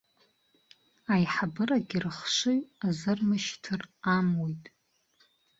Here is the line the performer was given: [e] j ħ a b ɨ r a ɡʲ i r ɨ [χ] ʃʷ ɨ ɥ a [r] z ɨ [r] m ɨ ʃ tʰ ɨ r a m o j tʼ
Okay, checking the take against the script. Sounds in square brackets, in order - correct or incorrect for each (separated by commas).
incorrect, correct, incorrect, correct